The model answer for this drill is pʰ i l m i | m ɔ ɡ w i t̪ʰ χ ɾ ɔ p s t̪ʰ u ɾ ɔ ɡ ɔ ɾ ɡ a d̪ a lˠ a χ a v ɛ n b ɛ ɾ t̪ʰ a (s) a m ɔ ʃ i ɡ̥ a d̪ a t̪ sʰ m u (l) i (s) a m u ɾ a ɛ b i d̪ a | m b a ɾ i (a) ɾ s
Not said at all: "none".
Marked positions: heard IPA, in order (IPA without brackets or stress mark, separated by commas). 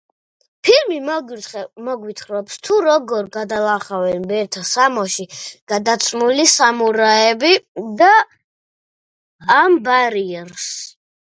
s, l, s, ɛ